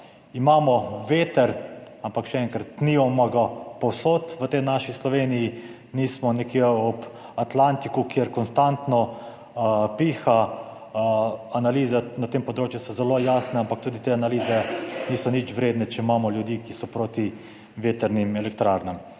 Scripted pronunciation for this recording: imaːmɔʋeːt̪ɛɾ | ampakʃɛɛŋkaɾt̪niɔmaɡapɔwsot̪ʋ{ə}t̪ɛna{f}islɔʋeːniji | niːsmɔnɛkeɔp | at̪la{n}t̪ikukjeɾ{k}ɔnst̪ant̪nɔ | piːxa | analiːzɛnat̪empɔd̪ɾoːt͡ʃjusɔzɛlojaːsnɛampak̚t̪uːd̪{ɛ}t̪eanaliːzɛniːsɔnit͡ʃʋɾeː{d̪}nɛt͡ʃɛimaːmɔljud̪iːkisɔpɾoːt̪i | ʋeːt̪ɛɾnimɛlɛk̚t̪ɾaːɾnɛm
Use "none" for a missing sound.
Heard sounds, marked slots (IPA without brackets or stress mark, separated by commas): ə, ʃ, n, k, i, d̪